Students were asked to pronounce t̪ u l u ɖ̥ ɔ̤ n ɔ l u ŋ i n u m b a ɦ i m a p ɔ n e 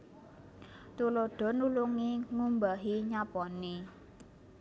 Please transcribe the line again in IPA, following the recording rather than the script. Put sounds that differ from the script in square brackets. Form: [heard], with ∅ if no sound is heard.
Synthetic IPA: t̪ u l [o] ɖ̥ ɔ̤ n [u] l u ŋ i [ŋ] u m b a ɦ i [ɲ] a p ɔ n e